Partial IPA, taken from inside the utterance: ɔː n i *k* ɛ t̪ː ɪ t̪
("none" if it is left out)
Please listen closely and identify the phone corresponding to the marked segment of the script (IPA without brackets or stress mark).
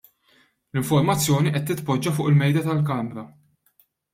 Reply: ʔ